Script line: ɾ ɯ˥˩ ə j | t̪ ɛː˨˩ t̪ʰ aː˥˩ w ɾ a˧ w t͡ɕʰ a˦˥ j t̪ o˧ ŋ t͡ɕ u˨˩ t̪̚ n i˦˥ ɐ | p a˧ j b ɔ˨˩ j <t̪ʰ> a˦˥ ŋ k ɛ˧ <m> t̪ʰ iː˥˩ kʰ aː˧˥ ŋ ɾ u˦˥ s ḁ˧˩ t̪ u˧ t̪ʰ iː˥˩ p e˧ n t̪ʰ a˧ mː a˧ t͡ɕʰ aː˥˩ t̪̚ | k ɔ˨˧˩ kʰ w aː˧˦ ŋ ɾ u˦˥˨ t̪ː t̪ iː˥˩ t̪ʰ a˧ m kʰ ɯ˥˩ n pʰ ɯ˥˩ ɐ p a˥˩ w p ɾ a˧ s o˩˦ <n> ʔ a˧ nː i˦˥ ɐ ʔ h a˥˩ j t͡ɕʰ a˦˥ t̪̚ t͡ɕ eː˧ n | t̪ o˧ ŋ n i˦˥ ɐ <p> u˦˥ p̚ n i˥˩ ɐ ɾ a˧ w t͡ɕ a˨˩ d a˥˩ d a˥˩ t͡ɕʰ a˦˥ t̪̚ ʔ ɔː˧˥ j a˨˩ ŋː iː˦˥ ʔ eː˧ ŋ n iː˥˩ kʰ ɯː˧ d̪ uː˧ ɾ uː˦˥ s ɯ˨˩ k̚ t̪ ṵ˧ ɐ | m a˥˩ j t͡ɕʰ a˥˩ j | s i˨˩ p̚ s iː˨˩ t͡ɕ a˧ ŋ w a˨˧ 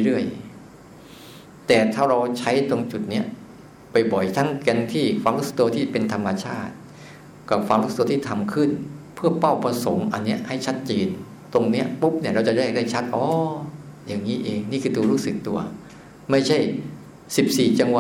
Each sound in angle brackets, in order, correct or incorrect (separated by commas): correct, incorrect, incorrect, correct